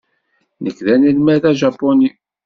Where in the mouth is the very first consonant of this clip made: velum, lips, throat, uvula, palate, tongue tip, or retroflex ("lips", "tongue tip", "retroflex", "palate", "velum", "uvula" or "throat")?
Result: tongue tip